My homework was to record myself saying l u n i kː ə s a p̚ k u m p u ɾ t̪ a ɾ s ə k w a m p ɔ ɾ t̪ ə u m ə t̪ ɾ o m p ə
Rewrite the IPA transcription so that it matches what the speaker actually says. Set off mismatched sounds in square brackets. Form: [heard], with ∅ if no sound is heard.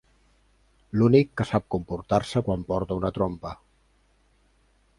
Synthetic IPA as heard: l u n i kː ə s a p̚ k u m p u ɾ t̪ a ɾ s ə k w a m p ɔ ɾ t̪ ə u [n] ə t̪ ɾ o m p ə